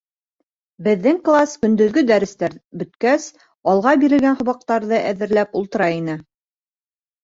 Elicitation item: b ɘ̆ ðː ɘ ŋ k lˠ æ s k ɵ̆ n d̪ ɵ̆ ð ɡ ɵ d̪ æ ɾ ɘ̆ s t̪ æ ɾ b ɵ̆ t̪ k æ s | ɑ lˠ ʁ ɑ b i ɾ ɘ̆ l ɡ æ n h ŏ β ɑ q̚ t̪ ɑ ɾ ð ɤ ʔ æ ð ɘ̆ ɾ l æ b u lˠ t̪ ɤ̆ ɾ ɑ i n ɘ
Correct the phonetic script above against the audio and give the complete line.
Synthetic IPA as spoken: b ɘ̆ ðː ɘ ŋ k lˠ a s k ɵ̆ n d̪ ɵ̆ ð ɡ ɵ d̪ æ ɾ ɘ̆ s t̪ æ ɾ b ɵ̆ t̪ k æ s | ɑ lˠ ʁ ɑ b i ɾ ɘ̆ l ɡ æ n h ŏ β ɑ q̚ t̪ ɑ ɾ ð ɤ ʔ æ ð ɘ̆ ɾ l æ p u lˠ t̪ ɤ̆ ɾ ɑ i n ɘ